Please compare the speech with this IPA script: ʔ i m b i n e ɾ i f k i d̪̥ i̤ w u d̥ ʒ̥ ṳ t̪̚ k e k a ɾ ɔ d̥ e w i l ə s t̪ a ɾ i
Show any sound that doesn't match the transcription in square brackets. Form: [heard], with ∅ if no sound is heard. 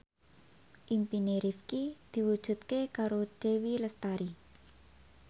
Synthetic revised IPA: ʔ i m [p] i n e ɾ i f k i d̪̥ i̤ w u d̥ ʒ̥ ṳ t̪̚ k e k a ɾ [o] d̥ e w i l ə s t̪ a ɾ i